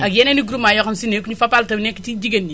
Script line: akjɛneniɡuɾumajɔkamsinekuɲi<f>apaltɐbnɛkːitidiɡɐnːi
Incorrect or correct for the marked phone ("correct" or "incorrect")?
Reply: correct